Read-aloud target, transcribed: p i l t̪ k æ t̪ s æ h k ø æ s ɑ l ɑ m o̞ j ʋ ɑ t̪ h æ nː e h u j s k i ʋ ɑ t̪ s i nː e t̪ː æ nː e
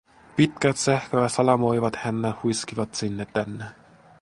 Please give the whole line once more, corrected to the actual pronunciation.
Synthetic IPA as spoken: p i t̪ k æ t̪ s æ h k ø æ s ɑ l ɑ m o̞ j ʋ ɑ t̪ h æ nː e h u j s k i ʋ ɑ t̪ s i nː e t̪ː æ nː e